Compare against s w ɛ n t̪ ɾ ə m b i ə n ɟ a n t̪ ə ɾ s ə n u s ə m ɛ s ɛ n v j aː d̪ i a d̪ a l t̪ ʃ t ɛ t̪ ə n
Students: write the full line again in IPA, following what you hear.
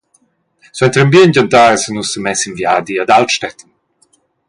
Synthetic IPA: s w ɛ n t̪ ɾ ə m b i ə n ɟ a n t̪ a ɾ s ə n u s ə m ɛ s i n v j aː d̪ i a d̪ a l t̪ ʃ t ɛ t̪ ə n